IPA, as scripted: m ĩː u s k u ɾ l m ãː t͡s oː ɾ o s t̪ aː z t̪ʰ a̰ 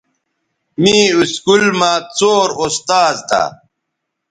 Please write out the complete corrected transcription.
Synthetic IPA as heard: m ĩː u s k u l m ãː t͡s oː ɾ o s t̪ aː z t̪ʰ a̰